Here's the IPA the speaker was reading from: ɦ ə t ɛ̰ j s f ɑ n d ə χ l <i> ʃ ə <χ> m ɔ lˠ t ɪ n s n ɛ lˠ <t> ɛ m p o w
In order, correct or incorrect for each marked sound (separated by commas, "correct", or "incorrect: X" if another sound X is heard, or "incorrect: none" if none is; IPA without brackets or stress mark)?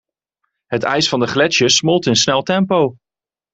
incorrect: ɛ, incorrect: s, correct